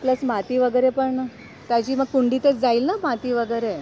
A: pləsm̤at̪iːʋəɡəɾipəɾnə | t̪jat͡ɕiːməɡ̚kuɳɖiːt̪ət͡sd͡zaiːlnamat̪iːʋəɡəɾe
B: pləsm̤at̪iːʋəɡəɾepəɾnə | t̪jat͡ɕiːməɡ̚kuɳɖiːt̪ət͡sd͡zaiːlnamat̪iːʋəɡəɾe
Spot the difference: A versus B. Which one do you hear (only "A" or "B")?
B